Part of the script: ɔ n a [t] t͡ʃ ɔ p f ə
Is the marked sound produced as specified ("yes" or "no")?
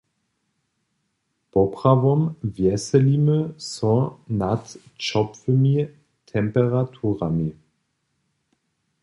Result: yes